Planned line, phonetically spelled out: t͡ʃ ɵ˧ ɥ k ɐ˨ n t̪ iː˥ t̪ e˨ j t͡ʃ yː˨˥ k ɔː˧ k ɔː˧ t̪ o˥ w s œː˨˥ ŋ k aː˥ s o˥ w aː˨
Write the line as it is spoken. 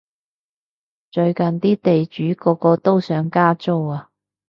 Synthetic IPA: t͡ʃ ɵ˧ ɥ k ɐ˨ n t̪ iː˥ t̪ e˨ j t͡ʃ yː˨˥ k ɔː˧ k ɔː˧ t̪ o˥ w s œː˨˥ ŋ k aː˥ t͡s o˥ w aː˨